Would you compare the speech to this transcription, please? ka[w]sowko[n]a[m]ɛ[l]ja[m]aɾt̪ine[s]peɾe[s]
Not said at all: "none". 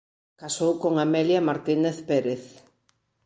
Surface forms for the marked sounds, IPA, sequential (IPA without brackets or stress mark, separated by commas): none, ŋ, m, l, m, θ, θ